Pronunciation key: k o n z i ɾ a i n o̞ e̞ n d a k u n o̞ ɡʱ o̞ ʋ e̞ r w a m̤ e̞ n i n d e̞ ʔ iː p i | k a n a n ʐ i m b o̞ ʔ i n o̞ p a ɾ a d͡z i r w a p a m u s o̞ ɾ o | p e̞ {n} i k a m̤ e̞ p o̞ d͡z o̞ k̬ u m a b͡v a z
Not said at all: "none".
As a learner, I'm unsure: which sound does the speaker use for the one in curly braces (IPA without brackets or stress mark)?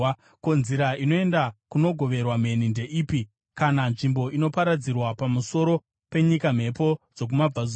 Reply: ɲ